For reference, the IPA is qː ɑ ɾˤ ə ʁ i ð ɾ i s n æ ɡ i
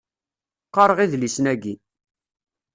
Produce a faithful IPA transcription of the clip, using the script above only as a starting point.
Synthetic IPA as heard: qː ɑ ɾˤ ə ʁ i ð l i s n æ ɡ i